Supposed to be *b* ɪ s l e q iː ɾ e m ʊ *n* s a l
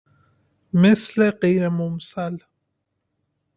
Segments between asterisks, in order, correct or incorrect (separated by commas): incorrect, incorrect